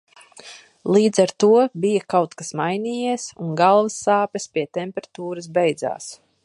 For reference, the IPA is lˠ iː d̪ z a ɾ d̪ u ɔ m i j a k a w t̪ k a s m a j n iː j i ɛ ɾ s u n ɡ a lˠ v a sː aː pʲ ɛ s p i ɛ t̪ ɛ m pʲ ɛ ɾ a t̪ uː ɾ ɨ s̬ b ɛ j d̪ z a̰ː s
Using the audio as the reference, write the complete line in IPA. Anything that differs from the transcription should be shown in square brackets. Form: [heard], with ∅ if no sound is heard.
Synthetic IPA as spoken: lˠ iː d̪ z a ɾ [t̪] u ɔ [b] i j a k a w t̪ k a s m a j n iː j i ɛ [∅] s u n ɡ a lˠ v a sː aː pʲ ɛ s p i ɛ t̪ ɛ m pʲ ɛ ɾ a t̪ uː ɾ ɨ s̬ b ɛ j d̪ z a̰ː s